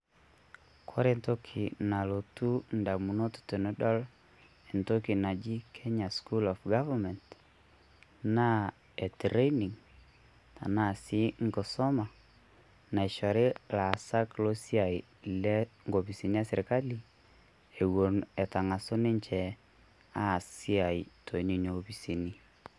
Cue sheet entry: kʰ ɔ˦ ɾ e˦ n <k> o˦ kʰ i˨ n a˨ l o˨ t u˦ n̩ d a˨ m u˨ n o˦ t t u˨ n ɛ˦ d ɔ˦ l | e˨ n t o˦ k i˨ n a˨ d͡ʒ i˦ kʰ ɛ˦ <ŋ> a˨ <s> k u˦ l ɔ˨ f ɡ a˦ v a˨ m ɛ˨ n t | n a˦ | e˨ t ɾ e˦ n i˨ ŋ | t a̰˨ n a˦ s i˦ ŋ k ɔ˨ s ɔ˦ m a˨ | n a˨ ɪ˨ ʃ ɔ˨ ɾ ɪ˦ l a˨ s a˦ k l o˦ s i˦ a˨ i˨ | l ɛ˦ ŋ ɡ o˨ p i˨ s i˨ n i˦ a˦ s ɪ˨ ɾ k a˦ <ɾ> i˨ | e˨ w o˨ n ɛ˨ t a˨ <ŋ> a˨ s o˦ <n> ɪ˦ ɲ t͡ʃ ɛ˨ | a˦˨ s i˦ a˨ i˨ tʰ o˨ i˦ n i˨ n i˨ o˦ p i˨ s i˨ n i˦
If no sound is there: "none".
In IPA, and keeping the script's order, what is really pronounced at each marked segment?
t, ɲ, s, l, ŋ, n

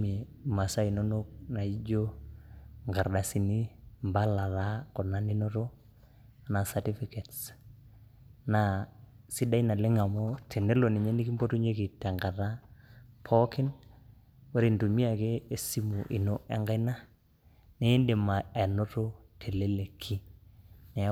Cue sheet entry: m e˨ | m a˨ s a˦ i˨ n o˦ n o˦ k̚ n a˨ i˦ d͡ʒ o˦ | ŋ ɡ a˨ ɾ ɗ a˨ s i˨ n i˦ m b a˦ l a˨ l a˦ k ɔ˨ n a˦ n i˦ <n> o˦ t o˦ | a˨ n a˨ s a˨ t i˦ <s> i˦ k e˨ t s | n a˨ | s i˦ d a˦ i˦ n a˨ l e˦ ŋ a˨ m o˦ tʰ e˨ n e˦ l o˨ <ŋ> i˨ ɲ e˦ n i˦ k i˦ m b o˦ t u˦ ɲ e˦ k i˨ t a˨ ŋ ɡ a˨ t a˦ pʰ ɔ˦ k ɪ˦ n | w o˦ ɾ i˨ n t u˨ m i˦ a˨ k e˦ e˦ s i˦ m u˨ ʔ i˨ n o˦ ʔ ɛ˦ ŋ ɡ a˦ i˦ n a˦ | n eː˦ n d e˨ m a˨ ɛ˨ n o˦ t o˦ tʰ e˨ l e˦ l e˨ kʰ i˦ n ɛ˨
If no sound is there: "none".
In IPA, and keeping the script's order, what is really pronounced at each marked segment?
n, f, n

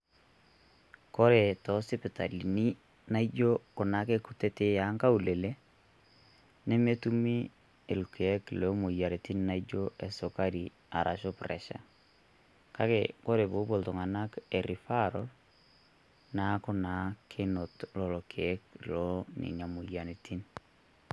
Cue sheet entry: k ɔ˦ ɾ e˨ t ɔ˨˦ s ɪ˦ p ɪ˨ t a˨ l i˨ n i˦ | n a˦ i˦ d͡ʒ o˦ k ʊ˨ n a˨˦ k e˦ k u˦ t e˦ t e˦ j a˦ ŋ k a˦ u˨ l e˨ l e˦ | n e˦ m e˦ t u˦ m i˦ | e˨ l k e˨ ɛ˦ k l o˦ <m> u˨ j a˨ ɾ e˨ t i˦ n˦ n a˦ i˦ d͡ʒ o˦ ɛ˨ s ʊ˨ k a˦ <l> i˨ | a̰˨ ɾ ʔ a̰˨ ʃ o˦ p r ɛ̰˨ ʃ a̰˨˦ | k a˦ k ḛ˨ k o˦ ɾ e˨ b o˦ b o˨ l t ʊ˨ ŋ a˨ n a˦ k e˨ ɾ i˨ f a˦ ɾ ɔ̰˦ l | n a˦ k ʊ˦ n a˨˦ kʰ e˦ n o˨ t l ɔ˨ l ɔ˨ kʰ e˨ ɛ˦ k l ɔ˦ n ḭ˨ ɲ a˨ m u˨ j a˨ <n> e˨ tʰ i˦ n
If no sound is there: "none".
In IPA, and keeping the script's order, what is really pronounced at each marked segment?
m, ɾ, n

